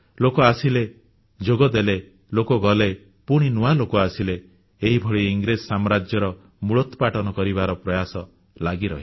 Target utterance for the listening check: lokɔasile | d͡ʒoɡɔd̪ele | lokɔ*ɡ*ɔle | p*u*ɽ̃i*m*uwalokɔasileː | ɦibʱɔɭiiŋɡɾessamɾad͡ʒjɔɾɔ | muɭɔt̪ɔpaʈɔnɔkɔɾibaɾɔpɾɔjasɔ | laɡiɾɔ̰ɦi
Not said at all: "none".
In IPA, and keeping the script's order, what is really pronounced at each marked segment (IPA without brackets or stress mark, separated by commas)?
ɡ, u, n